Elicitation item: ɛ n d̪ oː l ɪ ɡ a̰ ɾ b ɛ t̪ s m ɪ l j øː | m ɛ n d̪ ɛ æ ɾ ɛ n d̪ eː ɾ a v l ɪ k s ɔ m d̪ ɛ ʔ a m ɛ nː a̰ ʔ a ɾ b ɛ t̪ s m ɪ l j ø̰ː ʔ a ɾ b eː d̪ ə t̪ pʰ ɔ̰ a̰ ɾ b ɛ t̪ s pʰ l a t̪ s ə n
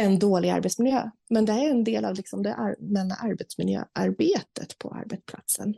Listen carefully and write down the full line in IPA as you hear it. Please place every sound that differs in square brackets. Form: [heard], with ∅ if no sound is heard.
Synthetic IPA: ɛ n d̪ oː l ɪ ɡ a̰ ɾ b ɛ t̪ s m ɪ l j øː | m ɛ n d̪ ɛ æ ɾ ɛ n d̪ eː [l] a v l ɪ k s ɔ m d̪ ɛ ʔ a m ɛ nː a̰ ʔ a ɾ b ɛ t̪ s m ɪ l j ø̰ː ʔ a ɾ b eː [t̪] ə t̪ pʰ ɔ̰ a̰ ɾ b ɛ t̪ s pʰ l a t̪ s ə n